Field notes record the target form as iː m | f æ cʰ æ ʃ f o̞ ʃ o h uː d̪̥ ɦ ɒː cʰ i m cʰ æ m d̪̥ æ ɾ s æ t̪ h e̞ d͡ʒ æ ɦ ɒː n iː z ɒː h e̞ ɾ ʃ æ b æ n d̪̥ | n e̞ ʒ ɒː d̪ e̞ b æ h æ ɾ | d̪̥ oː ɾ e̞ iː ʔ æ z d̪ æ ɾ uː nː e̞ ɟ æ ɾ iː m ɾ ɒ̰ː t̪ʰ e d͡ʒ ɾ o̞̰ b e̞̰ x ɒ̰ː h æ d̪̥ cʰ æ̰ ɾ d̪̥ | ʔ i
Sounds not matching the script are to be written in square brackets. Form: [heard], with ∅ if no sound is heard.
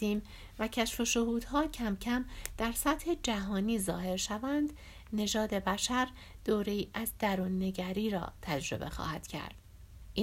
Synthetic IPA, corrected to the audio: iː m | [v] æ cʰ æ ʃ f o̞ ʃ o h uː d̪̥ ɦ ɒː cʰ [æ] m cʰ æ m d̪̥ æ ɾ s æ t̪ h e̞ d͡ʒ æ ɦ ɒː n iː z ɒː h e̞ ɾ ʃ æ [v] æ n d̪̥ | n e̞ ʒ ɒː d̪ e̞ b æ [ʃ] æ ɾ | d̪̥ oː ɾ e̞ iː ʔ æ z d̪ æ ɾ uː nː e̞ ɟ æ ɾ iː [∅] ɾ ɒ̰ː t̪ʰ [æ] d͡ʒ ɾ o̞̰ b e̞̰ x ɒ̰ː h æ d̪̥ cʰ æ̰ ɾ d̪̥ | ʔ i